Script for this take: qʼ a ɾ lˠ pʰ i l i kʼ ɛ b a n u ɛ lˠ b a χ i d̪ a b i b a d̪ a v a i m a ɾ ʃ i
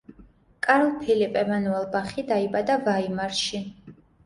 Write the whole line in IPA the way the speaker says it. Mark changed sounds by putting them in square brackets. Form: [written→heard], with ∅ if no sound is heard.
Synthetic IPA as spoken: [qʼ→kʼ] a ɾ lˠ pʰ i l i [kʼ→pʼ] ɛ [b→m] a n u ɛ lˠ b a χ i d̪ a [b→∅] i b a d̪ a v a i m a ɾ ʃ i